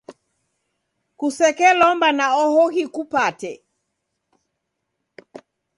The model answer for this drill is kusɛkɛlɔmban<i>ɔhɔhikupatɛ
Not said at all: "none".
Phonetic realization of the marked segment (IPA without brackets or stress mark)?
a